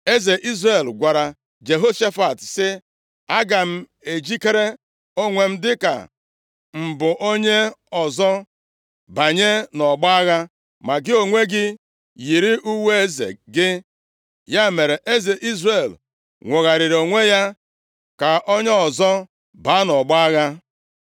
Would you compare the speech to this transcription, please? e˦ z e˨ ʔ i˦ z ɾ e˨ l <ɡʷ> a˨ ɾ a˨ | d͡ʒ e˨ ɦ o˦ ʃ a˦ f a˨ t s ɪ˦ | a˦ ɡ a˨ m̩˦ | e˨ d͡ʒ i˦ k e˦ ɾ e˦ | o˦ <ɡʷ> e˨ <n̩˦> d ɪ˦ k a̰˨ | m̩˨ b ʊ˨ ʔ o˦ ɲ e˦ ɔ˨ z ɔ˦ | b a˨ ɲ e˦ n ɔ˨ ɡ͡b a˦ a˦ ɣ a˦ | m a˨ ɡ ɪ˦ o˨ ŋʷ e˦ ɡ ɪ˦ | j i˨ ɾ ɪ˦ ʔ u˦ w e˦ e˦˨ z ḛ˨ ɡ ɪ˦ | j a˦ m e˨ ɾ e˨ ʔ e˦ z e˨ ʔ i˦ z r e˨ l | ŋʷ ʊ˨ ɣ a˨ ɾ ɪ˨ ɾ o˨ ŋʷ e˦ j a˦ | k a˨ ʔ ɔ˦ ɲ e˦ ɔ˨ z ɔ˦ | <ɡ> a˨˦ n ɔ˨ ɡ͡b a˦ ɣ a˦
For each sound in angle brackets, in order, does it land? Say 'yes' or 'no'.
yes, no, no, no

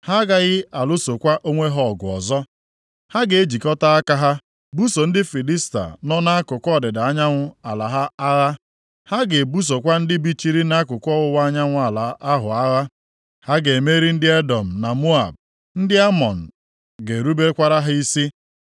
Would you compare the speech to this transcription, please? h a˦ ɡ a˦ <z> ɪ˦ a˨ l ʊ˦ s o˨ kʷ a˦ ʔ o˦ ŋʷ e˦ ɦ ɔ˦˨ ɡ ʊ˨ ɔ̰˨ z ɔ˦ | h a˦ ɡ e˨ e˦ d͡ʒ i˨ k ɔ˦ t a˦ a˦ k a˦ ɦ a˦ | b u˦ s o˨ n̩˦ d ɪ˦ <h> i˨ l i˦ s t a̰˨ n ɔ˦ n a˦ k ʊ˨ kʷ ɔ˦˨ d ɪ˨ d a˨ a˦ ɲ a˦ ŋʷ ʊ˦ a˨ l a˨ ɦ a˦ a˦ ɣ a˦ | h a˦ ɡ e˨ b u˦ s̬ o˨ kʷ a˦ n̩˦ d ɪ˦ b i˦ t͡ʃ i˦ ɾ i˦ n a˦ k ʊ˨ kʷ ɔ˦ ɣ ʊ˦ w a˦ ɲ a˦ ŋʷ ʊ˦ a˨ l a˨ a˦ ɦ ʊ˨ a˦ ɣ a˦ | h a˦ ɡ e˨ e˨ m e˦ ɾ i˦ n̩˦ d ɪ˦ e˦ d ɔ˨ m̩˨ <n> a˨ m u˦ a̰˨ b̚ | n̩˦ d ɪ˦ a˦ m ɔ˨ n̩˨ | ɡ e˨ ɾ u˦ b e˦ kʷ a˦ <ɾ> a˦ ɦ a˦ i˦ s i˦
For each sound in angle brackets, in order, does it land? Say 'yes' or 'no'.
no, no, yes, yes

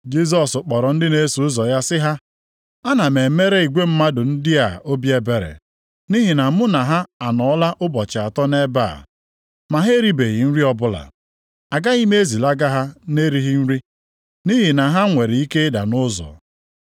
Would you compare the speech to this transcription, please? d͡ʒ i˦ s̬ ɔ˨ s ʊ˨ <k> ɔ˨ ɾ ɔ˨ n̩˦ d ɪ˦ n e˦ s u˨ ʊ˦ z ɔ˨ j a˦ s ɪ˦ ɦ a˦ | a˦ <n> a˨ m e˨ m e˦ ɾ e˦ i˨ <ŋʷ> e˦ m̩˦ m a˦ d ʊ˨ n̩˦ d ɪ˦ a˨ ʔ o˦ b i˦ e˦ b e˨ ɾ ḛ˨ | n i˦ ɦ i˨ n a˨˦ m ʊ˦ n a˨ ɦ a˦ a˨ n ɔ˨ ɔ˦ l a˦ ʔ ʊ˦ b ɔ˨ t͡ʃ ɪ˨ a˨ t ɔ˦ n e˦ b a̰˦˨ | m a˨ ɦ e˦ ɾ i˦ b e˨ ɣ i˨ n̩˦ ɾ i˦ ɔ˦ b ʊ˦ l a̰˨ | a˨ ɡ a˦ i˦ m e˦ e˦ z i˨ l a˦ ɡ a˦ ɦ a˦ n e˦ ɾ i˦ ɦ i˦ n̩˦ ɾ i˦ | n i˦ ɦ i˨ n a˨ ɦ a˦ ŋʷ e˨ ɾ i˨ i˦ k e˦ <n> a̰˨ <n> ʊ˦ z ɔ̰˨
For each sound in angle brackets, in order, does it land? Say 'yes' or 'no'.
no, yes, no, no, yes

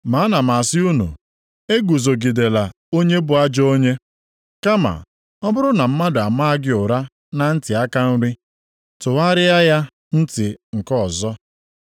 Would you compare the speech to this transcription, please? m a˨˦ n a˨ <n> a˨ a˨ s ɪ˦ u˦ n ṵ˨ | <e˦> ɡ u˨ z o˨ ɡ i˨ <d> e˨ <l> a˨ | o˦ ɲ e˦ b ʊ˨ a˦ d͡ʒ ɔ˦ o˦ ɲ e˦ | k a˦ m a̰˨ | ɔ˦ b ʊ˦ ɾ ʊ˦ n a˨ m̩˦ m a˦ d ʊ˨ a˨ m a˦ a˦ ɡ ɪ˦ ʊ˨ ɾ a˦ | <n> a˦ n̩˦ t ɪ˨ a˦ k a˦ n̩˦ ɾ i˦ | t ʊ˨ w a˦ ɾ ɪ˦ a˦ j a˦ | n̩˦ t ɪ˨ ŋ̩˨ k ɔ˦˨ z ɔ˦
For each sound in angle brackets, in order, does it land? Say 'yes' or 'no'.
no, yes, yes, yes, yes

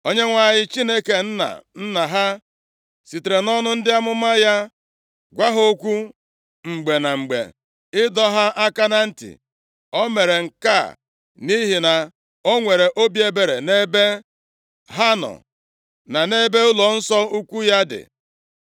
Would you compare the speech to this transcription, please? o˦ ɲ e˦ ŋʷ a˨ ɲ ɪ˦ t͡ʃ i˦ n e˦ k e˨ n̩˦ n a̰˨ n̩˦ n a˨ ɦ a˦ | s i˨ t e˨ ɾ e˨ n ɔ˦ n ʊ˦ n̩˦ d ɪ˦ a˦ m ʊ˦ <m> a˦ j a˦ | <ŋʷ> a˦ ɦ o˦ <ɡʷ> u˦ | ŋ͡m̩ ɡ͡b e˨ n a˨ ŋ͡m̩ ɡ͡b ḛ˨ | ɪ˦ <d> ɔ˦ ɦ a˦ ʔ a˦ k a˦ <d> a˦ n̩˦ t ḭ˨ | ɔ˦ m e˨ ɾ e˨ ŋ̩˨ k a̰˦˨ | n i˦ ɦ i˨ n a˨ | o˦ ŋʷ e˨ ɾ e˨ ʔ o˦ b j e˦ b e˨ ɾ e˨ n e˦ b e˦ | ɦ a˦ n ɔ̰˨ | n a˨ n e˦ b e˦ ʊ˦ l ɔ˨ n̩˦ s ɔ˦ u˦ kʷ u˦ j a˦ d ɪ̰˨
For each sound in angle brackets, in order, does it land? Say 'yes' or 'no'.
yes, no, no, yes, no

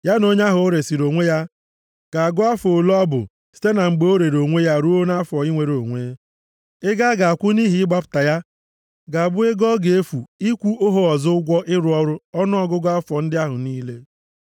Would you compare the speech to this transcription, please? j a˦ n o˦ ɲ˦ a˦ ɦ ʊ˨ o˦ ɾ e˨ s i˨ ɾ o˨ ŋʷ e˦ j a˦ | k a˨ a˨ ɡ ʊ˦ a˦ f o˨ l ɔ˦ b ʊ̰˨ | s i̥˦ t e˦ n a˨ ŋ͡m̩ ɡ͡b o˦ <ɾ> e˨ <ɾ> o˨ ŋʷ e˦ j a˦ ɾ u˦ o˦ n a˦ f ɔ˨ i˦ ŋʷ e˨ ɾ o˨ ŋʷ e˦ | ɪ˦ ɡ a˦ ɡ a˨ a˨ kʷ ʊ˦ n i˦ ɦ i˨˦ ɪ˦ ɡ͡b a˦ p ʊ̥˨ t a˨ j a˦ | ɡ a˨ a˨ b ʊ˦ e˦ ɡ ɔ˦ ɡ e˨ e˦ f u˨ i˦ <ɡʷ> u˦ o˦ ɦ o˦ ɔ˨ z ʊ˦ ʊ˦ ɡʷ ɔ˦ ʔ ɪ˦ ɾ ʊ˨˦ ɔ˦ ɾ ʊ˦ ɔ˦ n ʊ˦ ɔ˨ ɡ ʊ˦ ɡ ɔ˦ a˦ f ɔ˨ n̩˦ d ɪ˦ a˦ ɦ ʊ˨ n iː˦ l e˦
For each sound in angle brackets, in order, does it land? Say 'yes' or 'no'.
yes, yes, no

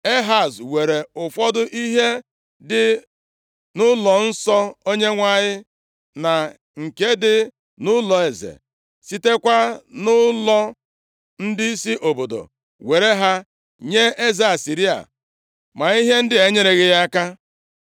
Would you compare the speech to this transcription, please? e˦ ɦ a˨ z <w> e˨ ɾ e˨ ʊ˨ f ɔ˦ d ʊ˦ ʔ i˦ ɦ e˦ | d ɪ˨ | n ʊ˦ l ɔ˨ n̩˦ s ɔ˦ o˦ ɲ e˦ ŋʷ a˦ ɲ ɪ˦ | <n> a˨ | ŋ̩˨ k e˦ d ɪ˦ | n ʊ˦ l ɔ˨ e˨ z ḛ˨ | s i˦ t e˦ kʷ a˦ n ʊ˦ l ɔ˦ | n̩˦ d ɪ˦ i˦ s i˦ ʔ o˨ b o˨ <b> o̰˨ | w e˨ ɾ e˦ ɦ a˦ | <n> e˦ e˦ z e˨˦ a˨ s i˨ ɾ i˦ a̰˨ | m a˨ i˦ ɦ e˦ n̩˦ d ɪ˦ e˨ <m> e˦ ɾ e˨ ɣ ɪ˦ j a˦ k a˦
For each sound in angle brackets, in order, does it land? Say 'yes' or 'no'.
yes, yes, no, no, no

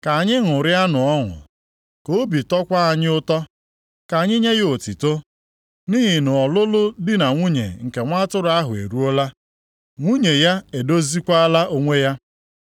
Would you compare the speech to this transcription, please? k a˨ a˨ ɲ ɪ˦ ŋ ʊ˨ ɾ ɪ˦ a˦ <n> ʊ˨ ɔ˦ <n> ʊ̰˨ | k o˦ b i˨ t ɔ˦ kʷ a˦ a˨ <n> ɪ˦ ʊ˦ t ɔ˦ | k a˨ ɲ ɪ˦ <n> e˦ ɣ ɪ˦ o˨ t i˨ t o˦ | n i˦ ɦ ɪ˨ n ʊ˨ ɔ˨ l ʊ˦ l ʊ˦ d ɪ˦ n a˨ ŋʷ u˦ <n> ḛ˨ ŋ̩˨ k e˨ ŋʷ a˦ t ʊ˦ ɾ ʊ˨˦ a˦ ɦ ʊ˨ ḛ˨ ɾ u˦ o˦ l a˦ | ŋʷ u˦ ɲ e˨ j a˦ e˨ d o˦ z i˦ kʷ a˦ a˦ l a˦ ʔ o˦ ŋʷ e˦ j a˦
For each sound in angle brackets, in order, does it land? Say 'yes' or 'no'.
yes, no, no, no, no

